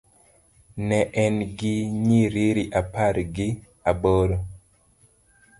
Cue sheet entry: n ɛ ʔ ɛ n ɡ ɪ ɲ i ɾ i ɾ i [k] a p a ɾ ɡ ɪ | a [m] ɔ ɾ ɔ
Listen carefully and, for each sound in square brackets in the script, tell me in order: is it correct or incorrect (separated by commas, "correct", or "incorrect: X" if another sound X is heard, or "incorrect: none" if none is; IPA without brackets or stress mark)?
incorrect: ʔ, incorrect: b